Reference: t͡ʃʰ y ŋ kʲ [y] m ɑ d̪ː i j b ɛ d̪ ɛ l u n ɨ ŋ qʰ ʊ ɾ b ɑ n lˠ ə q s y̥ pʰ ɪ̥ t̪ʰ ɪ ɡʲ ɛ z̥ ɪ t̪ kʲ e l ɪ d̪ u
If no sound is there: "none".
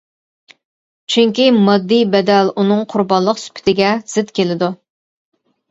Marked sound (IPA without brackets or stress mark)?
i